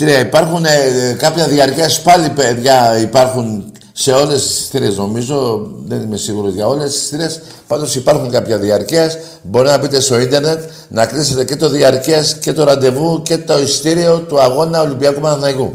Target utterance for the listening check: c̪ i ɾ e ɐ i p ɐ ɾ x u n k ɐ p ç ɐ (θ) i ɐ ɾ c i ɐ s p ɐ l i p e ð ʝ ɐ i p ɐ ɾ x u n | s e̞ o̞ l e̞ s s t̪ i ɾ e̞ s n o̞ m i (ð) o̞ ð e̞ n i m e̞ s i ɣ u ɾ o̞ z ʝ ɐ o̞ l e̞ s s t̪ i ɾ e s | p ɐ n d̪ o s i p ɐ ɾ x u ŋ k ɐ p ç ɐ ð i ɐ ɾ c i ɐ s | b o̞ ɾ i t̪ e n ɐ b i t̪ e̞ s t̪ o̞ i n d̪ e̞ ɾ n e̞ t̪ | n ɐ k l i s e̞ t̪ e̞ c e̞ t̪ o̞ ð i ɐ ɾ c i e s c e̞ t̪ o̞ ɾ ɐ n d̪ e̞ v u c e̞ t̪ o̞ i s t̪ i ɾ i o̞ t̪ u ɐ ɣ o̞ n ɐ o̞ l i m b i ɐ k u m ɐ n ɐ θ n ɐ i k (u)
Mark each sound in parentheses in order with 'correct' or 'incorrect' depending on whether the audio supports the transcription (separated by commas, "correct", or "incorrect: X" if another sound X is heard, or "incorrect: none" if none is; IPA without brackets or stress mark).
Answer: incorrect: ð, incorrect: z, correct